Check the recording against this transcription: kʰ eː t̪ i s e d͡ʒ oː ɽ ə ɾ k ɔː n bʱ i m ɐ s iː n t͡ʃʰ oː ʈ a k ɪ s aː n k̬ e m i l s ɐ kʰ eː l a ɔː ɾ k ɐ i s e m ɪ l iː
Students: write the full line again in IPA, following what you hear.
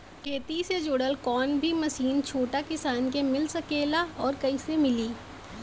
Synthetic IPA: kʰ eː t̪ i s e d͡ʒ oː ɽ ə l k ɔː n bʱ i m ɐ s iː n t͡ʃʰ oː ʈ a k ɪ s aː n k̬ e m ɪ l s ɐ k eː l a ɔː ɾ k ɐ i s e m ɪ l iː

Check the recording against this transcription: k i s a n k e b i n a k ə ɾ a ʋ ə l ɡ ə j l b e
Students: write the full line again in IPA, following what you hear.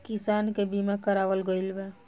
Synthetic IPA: k i s a n k e b i m a k ə ɾ a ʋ ə l ɡ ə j l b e

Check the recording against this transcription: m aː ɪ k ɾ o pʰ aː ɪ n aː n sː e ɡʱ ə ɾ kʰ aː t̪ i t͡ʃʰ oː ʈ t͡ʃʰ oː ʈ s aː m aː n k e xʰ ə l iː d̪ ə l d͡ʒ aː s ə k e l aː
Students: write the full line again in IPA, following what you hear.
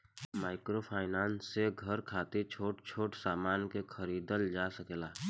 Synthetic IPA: m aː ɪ k ɾ o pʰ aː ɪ n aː n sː e ɡʱ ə ɾ kʰ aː t̪ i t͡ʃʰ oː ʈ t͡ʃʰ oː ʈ s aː m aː n k e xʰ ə ɾ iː d̪ ə l d͡ʒ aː s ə k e l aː

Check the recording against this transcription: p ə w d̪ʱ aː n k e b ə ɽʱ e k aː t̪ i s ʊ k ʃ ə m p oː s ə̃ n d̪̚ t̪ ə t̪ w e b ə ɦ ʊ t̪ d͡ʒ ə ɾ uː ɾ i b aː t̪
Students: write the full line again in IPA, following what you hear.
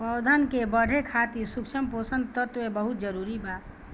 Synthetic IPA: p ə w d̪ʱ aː n k e b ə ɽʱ e kʰ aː t̪ i s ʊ k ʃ ə m p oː s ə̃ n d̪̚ t̪ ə t̪ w e b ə ɦ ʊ t̪ d͡ʒ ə ɾ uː ɾ i b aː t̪

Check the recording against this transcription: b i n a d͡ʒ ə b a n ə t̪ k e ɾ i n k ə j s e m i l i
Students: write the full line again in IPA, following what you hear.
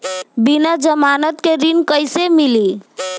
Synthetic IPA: b i n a d͡ʒ ə m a n ə t̪ k e ɾ i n k ə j s e m i l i

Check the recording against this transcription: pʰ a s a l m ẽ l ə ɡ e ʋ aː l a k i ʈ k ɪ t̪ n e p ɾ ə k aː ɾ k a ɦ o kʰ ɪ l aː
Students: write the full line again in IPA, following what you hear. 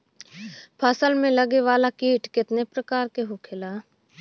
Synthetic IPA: pʰ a s ə l m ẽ l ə ɡ e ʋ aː l a k iː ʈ k ɪ t̪ n e p ɾ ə k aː ɾ k e ɦ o kʰ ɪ l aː

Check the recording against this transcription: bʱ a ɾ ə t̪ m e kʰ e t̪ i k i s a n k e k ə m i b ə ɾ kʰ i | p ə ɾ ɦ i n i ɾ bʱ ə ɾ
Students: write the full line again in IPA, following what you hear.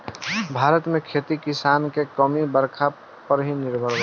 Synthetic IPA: bʱ a ɾ ə t̪ m e kʰ e t̪ i k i s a n k e k ə m i b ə ɾ kʰ a | p ə ɾ ɦ i n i ɾ bʱ ə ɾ

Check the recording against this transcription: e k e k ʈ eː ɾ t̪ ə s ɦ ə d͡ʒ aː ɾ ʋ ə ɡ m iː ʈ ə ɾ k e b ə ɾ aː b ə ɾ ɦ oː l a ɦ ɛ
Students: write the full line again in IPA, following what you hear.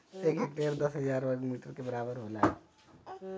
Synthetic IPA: e k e k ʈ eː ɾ d̪ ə s ɦ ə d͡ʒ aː ɾ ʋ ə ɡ m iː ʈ ə ɾ k e b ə ɾ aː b ə ɾ ɦ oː l a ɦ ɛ

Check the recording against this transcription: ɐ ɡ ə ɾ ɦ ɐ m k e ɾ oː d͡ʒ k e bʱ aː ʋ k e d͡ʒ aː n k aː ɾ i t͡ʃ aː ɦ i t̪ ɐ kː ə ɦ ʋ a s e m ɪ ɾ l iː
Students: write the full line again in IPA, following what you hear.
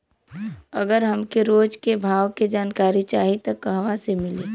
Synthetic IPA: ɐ ɡ ə ɾ ɦ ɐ m k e ɾ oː d͡ʒ k e bʱ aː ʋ k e d͡ʒ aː n k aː ɾ i t͡ʃ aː ɦ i t̪ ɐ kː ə ɦ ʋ a s e m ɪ l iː

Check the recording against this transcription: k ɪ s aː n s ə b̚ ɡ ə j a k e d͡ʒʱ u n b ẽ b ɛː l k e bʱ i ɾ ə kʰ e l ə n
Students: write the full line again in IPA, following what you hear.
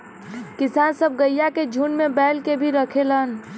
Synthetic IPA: k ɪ s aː n s ə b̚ ɡ ə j a k e d͡ʒʱ u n m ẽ b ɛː l k e bʱ i ɾ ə kʰ e l ə n

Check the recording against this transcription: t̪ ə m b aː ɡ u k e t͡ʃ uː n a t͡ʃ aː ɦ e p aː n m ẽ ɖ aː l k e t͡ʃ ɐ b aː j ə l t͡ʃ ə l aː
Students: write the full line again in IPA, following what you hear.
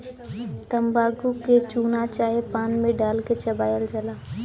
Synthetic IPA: t̪ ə m b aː ɡ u k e t͡ʃ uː n a t͡ʃ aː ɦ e p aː n m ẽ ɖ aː l k e t͡ʃ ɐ b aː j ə l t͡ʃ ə l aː

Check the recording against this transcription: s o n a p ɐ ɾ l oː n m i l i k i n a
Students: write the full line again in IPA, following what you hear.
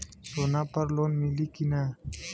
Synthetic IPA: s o n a p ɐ ɾ l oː n m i l i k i n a

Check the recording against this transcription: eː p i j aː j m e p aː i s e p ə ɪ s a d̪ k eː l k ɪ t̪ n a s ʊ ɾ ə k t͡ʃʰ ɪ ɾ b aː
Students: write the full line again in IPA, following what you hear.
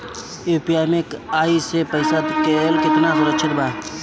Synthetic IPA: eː p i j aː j m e k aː i s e p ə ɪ s a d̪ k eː l k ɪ t̪ n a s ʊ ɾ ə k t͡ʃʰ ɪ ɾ b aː

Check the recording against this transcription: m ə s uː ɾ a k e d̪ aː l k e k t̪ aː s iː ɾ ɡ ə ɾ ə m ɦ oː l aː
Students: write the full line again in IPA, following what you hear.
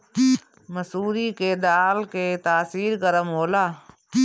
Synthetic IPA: m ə s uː ɾ i k e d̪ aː l k e t̪ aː s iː ɾ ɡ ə ɾ ə m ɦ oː l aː

